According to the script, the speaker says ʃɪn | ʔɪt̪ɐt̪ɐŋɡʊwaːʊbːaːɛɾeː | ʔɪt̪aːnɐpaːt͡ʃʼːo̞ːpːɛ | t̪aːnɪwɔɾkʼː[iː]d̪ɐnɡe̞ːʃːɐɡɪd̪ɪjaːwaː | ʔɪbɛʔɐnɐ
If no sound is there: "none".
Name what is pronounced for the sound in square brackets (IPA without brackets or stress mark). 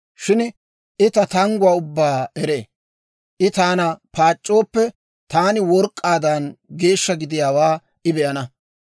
aː